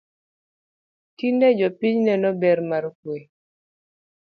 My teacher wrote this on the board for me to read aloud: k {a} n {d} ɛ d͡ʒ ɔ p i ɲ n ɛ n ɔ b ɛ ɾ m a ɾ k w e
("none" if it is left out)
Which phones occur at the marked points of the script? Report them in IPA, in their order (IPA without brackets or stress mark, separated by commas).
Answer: i, d